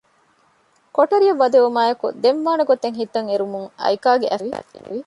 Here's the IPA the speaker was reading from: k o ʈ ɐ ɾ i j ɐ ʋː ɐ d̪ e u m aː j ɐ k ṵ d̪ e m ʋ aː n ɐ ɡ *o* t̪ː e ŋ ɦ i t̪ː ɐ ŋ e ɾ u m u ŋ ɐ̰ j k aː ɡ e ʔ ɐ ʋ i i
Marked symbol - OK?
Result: yes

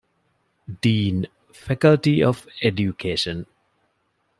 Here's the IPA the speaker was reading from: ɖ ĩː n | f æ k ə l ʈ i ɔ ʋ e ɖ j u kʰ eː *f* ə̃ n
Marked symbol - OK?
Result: no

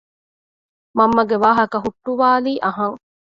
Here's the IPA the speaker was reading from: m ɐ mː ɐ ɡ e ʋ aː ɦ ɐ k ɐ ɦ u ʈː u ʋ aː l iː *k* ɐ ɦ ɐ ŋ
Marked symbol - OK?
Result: no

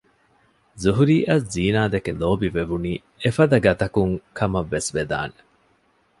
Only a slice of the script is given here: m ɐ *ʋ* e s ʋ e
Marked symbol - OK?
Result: no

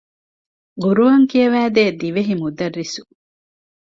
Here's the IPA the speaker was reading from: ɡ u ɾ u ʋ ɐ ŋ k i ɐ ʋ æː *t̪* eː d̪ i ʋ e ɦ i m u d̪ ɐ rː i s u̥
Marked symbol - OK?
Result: no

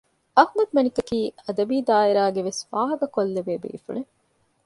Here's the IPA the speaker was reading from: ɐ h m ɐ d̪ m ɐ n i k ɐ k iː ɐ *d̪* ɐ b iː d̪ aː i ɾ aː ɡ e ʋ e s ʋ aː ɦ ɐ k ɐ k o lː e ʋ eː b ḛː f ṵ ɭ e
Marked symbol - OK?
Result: yes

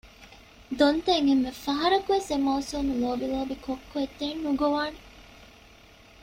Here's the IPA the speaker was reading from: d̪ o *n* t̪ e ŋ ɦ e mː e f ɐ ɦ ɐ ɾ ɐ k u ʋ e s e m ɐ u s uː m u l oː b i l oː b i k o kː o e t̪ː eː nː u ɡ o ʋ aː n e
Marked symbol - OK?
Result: yes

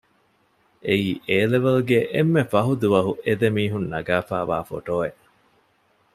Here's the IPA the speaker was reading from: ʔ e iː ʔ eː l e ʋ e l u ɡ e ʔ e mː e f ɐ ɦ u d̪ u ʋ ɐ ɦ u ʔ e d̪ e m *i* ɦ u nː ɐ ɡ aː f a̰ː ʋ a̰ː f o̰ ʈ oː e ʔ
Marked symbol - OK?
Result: no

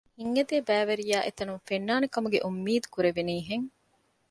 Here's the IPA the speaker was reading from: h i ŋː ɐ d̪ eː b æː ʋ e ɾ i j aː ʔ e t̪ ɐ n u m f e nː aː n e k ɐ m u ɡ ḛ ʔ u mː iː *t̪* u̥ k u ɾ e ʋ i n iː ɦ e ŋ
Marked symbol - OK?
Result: no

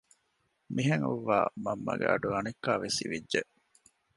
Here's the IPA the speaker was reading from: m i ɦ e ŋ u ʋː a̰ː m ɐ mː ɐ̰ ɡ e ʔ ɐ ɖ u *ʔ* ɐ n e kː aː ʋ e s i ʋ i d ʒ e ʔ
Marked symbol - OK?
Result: no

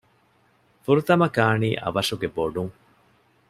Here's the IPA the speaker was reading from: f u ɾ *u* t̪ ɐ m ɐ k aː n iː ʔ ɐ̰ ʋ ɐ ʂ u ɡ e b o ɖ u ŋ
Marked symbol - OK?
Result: yes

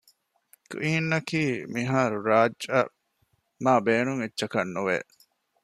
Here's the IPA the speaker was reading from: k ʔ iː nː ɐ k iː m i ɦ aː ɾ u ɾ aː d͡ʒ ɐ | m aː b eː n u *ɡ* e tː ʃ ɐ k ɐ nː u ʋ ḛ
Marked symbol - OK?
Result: no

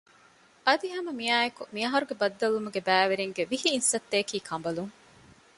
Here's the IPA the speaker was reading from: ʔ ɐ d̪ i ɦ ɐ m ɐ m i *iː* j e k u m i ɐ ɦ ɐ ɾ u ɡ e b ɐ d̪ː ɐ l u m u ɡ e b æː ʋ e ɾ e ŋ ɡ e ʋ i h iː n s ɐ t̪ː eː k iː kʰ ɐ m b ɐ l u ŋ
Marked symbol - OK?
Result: no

